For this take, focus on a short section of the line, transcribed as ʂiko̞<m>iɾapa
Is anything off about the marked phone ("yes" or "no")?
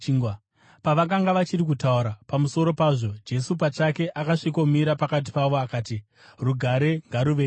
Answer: no